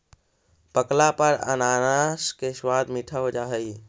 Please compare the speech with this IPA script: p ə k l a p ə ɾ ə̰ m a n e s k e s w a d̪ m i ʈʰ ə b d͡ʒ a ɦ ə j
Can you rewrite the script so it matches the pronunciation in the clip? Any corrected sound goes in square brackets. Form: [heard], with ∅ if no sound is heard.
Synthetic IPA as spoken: p ə k l a p ə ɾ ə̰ [n] a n [a] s k e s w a d̪ m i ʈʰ ə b d͡ʒ a ɦ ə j